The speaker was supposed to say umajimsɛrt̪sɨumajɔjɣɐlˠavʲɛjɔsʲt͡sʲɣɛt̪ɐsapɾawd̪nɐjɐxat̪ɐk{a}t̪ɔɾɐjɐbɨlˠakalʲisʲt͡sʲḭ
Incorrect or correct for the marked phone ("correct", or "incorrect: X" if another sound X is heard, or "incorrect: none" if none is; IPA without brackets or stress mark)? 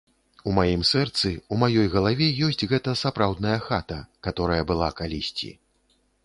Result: correct